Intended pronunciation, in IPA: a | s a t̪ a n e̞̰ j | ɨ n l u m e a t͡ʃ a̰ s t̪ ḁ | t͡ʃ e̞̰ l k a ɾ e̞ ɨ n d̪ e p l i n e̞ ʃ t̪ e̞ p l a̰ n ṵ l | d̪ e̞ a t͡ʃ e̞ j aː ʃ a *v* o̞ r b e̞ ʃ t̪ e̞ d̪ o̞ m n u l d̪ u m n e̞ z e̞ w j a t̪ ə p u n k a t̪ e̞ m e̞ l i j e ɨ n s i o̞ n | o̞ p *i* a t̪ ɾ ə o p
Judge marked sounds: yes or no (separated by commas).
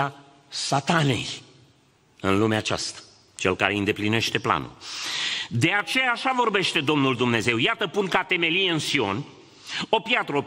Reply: yes, no